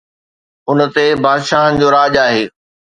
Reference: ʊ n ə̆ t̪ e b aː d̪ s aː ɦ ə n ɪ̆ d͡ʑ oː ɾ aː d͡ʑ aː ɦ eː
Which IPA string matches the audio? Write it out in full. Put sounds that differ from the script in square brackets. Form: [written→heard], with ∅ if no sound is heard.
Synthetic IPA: ʊ n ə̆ t̪ e b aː d̪ [s→ʃ] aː ɦ ə n ɪ̆ d͡ʑ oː ɾ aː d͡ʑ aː ɦ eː